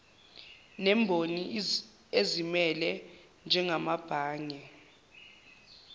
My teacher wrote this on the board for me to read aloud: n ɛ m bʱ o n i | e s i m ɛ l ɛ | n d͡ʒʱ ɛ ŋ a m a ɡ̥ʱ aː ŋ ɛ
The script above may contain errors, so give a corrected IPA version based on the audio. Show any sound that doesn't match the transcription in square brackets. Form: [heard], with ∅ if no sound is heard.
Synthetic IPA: n ɛ m bʱ o n i | e [z] i m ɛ l ɛ | n d͡ʒʱ ɛ ŋ a m a [b̥ʱ] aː ŋ ɛ